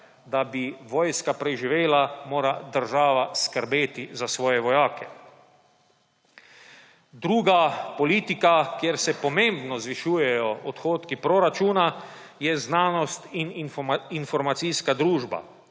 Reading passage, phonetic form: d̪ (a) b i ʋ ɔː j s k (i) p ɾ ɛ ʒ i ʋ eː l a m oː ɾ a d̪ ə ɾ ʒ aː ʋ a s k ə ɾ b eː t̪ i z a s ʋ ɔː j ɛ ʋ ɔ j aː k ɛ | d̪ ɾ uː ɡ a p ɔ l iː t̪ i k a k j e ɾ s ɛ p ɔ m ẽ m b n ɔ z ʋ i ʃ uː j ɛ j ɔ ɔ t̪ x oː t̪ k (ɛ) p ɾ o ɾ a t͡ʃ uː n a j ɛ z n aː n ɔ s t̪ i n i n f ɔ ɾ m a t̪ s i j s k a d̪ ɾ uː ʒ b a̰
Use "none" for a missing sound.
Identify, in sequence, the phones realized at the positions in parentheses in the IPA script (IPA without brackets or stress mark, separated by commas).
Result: a, a, i